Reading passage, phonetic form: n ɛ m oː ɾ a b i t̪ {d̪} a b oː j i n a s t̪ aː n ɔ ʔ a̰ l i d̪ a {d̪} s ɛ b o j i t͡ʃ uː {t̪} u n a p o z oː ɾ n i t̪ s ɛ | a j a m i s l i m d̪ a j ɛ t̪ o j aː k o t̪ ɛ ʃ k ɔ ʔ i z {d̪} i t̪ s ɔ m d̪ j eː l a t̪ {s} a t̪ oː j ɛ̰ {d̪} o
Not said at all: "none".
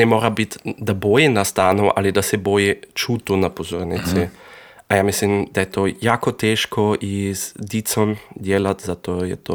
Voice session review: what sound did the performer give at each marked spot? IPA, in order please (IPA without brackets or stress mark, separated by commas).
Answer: d̪, none, t̪, d̪, z, t̪